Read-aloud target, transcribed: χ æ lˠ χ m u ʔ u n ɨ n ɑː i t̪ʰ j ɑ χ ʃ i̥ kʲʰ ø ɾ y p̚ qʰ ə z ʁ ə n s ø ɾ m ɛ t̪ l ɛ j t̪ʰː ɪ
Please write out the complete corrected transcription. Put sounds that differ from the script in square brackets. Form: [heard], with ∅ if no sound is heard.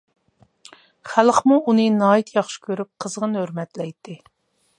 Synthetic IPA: χ æ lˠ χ m u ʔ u n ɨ n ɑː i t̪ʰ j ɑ χ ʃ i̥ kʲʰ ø ɾ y p̚ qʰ ə z ʁ ə n [h] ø ɾ m ɛ t̪ l ɛ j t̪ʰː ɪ